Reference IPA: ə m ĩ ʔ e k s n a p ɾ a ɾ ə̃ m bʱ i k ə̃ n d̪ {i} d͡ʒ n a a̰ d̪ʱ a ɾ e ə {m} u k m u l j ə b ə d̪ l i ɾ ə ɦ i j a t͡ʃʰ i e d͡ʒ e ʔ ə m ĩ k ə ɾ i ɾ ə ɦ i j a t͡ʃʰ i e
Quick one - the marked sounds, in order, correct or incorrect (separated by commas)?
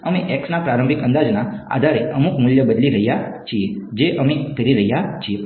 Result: incorrect, correct